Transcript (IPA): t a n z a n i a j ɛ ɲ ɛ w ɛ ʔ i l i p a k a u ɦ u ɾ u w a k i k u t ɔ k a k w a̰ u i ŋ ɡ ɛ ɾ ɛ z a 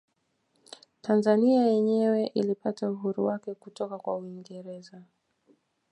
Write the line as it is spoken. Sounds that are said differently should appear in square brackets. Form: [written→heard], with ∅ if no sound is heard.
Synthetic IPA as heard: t a n z a n i a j ɛ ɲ ɛ w ɛ ʔ i l i p a [k→t] a u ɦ u ɾ u w a k [i→ɛ] k u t ɔ k a k w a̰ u i ŋ ɡ ɛ ɾ ɛ z a